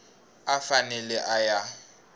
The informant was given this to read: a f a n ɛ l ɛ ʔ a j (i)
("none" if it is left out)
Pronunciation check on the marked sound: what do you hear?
a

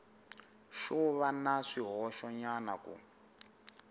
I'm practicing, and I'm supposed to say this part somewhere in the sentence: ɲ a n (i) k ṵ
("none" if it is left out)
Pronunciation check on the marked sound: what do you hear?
a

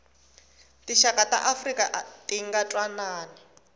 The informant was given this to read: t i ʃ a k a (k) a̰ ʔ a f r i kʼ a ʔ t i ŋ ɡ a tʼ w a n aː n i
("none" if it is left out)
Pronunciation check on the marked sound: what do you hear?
t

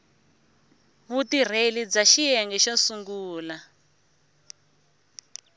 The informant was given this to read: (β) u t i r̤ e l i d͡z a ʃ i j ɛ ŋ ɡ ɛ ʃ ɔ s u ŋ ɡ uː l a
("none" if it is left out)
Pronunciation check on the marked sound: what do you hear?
β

